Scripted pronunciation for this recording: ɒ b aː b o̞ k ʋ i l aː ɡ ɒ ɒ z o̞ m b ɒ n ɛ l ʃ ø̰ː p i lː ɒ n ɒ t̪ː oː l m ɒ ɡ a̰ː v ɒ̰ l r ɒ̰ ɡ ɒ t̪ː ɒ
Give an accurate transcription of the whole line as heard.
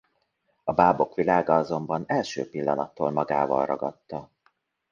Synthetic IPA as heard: ɒ b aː b o̞ k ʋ i l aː ɡ ɒ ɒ z o̞ m b ɒ n ɛ l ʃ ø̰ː p i lː ɒ n ɒ t̪ː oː l m ɒ ɡ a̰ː v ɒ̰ l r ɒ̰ ɡ ɒ t̪ː ɒ